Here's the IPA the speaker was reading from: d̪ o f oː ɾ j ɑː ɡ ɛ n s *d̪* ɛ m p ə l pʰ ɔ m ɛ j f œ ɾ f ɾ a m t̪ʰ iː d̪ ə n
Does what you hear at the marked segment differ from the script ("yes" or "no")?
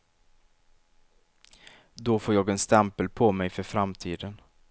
yes